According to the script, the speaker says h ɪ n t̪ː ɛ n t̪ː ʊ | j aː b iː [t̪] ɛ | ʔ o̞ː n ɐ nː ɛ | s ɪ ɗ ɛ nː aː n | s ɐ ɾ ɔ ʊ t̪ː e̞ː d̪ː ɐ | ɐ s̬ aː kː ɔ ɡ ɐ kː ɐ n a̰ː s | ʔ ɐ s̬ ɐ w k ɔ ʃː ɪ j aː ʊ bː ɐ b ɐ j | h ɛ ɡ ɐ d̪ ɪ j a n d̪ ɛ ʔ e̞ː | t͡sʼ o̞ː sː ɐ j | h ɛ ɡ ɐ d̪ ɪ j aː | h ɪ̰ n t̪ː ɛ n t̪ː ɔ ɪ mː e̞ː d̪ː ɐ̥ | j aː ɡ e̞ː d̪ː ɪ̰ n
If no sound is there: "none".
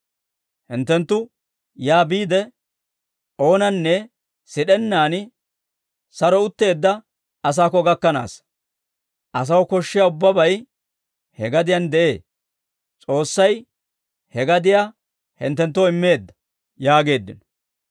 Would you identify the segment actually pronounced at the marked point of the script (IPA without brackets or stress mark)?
d̪